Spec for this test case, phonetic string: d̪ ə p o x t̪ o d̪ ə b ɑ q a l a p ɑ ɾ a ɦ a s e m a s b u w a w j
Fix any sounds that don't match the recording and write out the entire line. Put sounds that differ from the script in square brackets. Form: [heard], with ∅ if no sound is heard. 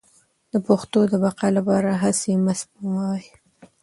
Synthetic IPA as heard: d̪ ə p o x t̪ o d̪ ə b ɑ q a l a p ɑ ɾ a ɦ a s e m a s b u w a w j